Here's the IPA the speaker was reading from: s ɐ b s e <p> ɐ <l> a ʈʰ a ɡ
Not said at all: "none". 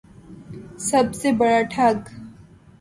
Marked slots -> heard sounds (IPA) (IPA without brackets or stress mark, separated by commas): b, ɽ